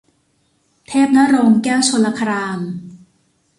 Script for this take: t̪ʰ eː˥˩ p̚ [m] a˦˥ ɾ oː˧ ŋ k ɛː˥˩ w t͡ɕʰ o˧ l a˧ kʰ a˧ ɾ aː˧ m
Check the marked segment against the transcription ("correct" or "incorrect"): incorrect